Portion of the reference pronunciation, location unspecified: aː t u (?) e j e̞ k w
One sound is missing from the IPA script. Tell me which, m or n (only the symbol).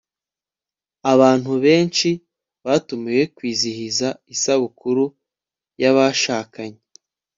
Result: m